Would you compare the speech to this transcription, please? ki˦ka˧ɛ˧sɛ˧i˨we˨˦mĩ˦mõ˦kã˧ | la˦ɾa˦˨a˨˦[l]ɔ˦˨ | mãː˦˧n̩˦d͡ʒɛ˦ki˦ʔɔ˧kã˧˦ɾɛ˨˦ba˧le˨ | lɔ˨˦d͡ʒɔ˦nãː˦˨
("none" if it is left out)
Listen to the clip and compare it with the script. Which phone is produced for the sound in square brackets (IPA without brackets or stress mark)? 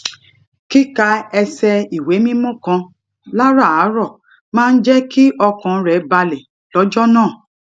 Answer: ɾ